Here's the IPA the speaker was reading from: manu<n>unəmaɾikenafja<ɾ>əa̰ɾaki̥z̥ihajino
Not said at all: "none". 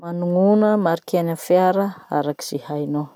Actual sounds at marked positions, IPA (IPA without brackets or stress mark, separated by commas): ŋ, ɾ